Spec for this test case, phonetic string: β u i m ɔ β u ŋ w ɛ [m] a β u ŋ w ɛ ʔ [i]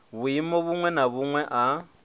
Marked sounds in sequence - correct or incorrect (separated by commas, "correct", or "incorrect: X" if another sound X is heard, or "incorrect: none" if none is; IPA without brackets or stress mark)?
incorrect: n, incorrect: a